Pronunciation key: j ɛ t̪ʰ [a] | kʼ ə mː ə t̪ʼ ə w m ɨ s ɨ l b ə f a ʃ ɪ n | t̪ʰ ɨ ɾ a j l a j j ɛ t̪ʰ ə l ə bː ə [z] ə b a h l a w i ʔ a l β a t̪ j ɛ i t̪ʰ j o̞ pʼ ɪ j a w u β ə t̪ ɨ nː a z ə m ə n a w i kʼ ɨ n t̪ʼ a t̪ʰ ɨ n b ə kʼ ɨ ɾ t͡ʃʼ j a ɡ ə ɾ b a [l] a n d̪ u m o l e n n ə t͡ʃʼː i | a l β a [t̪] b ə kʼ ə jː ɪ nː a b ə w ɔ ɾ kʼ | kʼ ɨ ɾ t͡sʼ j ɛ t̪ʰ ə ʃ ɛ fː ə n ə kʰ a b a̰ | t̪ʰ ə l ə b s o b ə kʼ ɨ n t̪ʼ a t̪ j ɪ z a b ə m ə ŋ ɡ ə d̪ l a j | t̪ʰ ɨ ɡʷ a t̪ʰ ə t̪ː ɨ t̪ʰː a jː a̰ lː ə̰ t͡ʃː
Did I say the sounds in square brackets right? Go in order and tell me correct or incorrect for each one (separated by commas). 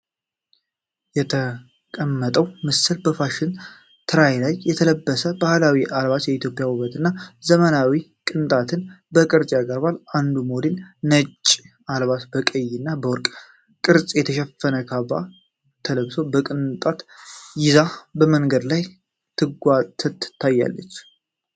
incorrect, incorrect, correct, correct